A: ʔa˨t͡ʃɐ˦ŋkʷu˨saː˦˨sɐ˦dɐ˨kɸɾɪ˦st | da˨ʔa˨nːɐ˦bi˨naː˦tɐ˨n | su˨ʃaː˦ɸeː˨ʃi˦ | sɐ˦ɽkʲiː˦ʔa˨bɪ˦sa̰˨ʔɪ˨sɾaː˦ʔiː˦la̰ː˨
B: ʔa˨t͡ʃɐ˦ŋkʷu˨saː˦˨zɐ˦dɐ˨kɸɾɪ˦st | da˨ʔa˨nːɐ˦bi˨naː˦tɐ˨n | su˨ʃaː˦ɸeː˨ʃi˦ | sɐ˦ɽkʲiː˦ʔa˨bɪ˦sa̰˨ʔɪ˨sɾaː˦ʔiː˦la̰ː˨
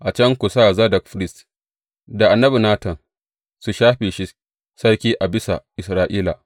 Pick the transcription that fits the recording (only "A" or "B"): B